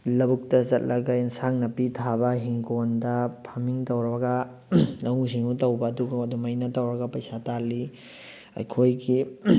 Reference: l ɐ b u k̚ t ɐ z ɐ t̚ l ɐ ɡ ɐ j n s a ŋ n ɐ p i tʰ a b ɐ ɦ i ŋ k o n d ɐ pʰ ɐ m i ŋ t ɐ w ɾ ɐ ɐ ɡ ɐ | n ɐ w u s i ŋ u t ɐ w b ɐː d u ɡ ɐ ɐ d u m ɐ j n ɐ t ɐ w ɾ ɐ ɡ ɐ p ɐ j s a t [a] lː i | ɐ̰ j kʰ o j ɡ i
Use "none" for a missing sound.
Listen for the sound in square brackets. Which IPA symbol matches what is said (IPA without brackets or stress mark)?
a